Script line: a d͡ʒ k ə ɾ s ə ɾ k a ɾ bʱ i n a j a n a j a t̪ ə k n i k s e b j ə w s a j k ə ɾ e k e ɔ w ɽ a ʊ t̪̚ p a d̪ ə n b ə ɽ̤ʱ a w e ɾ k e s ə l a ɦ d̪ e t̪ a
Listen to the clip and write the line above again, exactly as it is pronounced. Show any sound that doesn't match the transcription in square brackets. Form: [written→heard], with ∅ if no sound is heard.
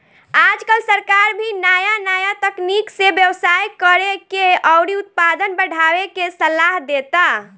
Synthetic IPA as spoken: a d͡ʒ k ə [ɾ→l] s ə ɾ k a ɾ bʱ i n a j a n a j a t̪ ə k n i k s e b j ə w s a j k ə ɾ e k e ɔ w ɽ [a→i] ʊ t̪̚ p a d̪ ə n b ə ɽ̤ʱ a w e [ɾ→∅] k e s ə l a ɦ d̪ e t̪ a